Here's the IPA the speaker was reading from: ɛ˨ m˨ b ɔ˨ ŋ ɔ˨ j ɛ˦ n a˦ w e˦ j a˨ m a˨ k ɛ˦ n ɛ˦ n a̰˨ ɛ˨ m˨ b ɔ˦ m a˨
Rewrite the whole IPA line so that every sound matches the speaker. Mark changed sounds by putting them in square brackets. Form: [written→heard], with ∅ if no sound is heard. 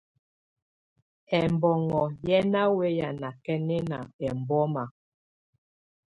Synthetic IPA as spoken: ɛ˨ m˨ b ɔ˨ ŋ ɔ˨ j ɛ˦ n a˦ w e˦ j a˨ [m→n] a˨ k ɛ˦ n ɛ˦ n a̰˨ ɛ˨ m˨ b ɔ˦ m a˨